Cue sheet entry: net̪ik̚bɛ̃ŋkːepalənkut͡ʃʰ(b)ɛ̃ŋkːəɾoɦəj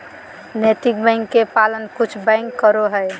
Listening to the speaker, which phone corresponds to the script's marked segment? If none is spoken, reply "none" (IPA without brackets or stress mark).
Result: b